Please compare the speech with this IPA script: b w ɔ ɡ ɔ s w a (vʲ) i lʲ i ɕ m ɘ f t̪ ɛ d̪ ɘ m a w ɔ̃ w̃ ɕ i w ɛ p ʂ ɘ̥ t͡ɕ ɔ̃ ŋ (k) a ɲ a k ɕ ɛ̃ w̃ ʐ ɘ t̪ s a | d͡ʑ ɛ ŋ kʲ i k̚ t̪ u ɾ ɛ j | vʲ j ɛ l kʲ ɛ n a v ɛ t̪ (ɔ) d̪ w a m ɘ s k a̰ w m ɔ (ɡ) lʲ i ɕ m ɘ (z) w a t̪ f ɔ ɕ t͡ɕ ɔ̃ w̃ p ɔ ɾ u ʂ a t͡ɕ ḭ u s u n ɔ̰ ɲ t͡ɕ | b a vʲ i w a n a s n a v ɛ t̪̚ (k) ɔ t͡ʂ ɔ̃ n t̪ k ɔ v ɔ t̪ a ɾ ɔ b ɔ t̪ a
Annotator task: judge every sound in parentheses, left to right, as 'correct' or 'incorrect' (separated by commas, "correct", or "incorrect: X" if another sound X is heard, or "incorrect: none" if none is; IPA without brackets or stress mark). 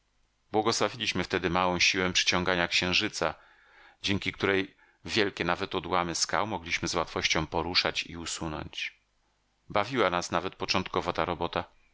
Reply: correct, incorrect: ɡ, correct, correct, correct, incorrect: p